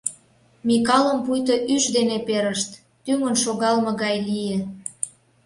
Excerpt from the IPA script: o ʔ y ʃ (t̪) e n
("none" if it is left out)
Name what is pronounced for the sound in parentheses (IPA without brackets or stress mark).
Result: d̪